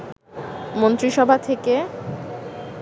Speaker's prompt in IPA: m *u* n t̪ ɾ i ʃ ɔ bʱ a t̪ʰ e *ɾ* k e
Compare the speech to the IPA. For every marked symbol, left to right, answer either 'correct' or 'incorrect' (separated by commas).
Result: incorrect, incorrect